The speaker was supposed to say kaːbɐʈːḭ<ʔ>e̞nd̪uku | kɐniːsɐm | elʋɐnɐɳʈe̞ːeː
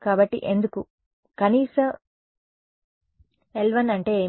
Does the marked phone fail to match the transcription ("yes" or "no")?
no